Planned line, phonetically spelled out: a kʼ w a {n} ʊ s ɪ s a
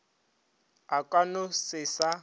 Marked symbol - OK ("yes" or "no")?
yes